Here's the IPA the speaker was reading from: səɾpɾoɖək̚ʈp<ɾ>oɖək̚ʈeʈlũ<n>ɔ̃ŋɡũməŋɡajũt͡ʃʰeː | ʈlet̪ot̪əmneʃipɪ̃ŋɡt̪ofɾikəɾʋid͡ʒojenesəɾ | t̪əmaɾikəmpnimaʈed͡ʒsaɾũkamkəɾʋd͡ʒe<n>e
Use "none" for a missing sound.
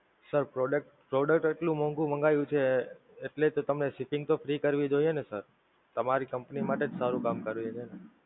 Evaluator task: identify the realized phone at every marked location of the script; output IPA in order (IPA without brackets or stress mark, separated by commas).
ɾ, m, n